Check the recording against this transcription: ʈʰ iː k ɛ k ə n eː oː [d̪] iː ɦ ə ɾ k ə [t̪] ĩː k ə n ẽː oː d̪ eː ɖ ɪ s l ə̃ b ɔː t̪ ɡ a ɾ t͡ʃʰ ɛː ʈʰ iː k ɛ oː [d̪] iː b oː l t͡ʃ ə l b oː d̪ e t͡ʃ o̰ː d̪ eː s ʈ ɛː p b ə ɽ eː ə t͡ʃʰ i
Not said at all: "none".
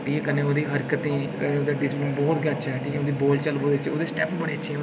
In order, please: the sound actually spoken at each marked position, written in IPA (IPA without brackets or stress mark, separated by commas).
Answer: d̪, t̪, d̪